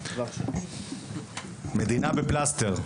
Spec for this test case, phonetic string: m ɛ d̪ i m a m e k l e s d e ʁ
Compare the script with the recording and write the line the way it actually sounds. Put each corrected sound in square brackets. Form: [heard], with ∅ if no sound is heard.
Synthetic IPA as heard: m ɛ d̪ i [n] a [b] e [p] l [a] s [t] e ʁ